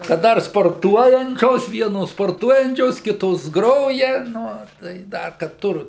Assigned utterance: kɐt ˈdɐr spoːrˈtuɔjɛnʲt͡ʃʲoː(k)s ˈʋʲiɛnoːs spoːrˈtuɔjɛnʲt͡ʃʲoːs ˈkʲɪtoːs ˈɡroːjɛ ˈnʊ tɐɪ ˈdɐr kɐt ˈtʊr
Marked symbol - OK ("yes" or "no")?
no